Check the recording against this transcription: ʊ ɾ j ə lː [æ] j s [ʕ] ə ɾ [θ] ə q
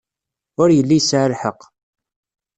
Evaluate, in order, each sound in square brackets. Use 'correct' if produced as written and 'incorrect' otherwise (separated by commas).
incorrect, correct, incorrect